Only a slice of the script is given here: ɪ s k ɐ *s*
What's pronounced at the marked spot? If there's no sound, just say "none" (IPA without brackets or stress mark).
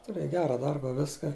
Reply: none